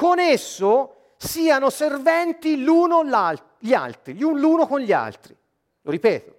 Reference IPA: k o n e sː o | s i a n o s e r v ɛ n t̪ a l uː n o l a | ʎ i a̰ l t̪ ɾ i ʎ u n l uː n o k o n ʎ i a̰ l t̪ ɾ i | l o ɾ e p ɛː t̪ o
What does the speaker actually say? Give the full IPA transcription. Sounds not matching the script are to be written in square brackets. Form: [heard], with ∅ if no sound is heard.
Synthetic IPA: k o n e sː o | s [iː] a n o s e r v ɛ n t̪ [i] l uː n o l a | ʎ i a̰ l t̪ ɾ i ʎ u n l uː n o k o n ʎ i a̰ l t̪ ɾ i | l o ɾ [i] p ɛː t̪ o